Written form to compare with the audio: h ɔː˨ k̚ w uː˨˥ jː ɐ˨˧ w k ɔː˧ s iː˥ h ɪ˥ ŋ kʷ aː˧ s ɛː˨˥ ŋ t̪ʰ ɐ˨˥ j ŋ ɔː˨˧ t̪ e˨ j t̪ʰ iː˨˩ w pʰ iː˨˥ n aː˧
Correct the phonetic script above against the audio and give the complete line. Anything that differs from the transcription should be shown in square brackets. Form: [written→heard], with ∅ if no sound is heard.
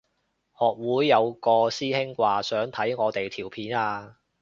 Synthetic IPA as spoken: h ɔː˨ k̚ w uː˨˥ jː ɐ˨˧ w k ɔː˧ s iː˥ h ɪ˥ ŋ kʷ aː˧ s [ɛː˨˥→œː˨˥] ŋ t̪ʰ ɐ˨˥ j ŋ ɔː˨˧ t̪ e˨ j t̪ʰ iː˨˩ w pʰ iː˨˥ n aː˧